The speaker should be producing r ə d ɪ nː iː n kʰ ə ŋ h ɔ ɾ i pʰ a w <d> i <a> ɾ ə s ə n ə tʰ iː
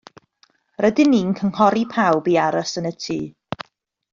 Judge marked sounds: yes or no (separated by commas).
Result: no, yes